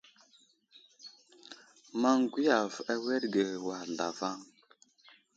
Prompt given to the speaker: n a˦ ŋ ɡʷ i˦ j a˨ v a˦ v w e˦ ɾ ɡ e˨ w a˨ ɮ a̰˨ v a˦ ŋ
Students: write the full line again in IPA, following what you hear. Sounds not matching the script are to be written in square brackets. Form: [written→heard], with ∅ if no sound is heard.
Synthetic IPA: [n→m] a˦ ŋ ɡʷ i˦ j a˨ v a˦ [v→∅] w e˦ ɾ ɡ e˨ w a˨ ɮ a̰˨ v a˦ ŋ